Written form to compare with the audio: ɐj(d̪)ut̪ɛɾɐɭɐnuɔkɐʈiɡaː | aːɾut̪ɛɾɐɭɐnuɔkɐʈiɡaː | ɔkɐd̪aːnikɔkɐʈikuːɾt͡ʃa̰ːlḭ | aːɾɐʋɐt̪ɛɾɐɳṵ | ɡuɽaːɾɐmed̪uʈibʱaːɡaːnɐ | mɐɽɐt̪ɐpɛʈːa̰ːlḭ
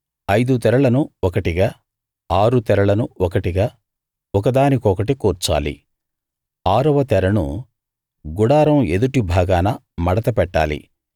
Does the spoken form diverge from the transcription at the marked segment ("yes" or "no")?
no